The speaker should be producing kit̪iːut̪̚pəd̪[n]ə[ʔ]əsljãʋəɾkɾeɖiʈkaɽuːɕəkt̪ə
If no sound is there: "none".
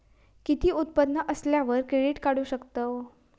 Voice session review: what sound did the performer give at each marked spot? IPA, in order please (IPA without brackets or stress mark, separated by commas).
n, ʔ